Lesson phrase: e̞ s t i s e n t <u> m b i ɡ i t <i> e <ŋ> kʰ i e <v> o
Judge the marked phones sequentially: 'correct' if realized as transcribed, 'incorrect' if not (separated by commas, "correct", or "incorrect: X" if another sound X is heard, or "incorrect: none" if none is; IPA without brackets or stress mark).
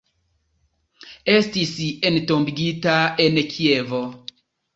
incorrect: o, incorrect: a, incorrect: n, correct